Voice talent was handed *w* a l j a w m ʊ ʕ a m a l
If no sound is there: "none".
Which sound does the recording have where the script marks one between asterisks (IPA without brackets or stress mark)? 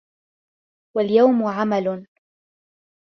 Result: w